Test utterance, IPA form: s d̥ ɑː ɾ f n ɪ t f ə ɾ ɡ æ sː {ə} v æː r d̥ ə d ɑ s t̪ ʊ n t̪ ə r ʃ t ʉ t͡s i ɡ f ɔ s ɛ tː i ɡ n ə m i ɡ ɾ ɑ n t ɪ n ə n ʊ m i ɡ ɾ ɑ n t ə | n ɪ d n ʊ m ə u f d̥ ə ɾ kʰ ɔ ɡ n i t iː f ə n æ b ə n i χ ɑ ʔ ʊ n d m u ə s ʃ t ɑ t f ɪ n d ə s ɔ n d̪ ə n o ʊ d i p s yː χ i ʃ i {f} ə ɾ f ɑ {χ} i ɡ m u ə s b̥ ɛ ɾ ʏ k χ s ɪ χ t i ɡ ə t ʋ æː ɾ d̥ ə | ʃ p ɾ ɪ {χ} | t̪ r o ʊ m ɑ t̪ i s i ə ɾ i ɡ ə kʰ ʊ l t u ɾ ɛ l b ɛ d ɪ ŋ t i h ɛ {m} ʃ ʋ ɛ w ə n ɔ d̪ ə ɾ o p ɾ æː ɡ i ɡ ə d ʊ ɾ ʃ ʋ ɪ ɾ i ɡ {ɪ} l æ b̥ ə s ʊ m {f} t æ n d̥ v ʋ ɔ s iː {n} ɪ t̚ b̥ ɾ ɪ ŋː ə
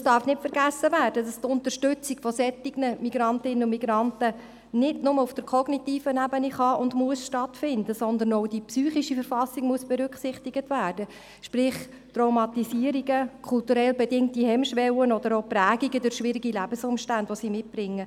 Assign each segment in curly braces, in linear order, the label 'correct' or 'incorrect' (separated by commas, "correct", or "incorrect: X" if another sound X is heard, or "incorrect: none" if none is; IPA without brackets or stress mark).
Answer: correct, correct, incorrect: s, correct, correct, incorrect: i, incorrect: ʃ, incorrect: m